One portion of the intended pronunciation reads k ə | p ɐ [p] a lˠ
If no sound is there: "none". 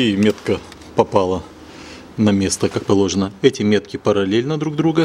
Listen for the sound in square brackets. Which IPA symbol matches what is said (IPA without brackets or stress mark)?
p